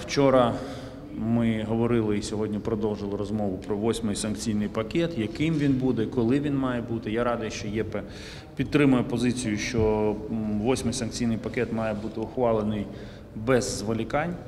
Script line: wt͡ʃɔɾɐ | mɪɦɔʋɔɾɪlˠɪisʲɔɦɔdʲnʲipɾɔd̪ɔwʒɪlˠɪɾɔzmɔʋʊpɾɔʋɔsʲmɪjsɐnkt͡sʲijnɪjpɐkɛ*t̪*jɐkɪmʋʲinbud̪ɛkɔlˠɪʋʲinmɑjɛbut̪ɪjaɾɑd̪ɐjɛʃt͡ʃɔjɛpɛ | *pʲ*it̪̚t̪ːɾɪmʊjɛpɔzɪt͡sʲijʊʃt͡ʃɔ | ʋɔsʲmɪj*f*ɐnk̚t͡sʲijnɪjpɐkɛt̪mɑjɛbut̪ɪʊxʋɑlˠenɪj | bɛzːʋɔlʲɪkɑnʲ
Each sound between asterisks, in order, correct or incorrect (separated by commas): correct, correct, incorrect